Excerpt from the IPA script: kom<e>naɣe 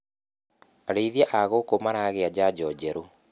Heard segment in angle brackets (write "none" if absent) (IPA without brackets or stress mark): a